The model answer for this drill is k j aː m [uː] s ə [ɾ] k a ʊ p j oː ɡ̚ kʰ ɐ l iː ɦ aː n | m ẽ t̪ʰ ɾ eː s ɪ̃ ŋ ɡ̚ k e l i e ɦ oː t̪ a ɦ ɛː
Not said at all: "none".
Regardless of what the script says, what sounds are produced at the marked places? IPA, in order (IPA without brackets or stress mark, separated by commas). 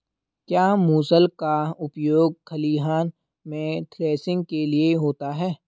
uː, l